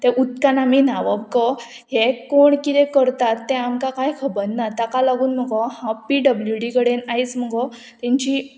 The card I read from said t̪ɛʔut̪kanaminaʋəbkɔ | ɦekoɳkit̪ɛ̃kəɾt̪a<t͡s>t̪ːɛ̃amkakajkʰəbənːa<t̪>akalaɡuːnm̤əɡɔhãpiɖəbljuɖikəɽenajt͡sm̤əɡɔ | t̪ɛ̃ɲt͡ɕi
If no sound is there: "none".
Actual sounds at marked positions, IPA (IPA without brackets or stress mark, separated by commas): none, t̪